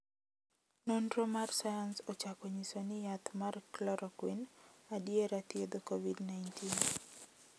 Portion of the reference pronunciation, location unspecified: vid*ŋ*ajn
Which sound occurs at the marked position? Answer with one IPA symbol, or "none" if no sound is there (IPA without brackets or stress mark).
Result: n